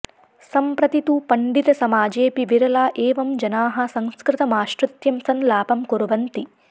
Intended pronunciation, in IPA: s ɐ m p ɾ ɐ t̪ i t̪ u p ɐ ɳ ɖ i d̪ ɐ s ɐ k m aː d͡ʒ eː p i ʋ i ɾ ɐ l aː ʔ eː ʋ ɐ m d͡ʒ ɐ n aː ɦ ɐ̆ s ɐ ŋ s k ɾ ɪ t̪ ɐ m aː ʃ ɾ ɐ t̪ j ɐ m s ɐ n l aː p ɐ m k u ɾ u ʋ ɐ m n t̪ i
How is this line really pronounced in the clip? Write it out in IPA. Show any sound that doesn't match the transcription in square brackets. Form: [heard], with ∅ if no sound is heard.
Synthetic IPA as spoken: s ɐ m p ɾ ɐ t̪ i t̪ u p ɐ ɳ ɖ i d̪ ɐ s ɐ [∅] m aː d͡ʒ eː p i ʋ i ɾ ɐ l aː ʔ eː ʋ ɐ m d͡ʒ ɐ n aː ɦ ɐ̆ s ɐ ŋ s k ɾ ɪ t̪ ɐ m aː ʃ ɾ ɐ t̪ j ɐ m s ɐ n l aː p ɐ m k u ɾ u ʋ ɐ [∅] n t̪ i